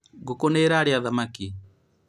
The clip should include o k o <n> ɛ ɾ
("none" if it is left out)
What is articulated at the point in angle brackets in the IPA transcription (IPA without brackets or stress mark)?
n